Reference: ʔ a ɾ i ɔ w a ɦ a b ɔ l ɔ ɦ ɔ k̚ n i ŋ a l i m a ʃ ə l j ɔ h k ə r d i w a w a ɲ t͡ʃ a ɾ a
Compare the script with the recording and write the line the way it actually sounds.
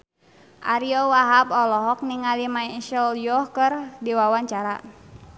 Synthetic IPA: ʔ a ɾ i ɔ w a ɦ a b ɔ l ɔ ɦ ɔ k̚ n i ŋ a l i m a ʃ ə l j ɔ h k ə r d i w a w a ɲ t͡ʃ a ɾ a

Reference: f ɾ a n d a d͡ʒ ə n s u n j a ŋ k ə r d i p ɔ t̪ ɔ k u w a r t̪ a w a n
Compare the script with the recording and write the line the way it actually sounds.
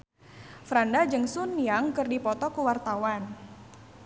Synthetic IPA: f ɾ a n d a d͡ʒ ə ŋ s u n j a ŋ k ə r d i p ɔ t̪ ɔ k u w a r t̪ a w a n

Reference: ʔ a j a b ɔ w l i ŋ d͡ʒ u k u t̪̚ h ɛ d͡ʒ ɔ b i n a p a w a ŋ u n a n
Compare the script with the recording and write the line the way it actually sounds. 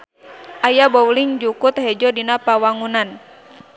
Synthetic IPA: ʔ a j a b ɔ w l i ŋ d͡ʒ u k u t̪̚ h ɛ d͡ʒ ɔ d i n a p a w a ŋ u n a n

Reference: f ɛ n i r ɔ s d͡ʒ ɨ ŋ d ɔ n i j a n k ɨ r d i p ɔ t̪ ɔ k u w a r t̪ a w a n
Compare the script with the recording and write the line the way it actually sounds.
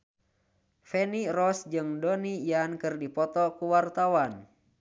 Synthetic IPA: f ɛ n i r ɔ s d͡ʒ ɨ ŋ d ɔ n i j a n k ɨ r d i p ɔ t̪ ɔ k u w a r t̪ a w a n

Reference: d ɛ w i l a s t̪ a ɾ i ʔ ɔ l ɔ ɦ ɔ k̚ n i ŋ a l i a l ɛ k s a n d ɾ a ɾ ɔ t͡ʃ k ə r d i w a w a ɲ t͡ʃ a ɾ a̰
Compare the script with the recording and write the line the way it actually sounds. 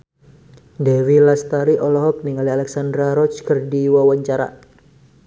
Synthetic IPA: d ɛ w i l a s t̪ a ɾ i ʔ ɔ l ɔ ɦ ɔ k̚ n i ŋ a l i a l ɛ k s a n d ɾ a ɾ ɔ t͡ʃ k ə r d i w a w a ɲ t͡ʃ a ɾ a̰

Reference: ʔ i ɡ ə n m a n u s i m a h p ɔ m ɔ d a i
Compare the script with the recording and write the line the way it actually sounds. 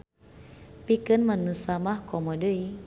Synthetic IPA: p i k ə n m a n u s a m a h k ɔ m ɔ d ə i

